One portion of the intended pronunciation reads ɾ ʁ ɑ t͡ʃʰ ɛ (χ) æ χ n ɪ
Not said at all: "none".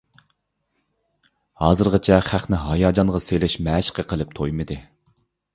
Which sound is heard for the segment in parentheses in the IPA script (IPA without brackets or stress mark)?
χ